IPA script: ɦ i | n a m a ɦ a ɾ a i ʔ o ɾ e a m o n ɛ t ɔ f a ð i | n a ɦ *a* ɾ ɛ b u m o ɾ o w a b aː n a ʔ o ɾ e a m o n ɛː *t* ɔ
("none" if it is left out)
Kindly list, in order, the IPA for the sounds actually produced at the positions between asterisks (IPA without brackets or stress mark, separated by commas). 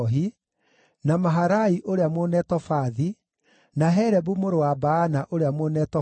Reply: ɛ, t